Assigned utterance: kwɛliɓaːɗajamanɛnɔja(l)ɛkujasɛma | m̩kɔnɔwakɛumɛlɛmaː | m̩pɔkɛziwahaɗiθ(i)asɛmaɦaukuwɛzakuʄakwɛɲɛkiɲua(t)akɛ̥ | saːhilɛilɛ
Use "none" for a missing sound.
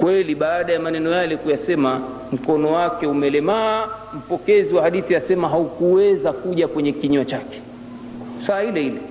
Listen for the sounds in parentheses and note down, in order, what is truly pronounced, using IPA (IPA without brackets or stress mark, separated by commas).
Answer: l, i, t͡ʃ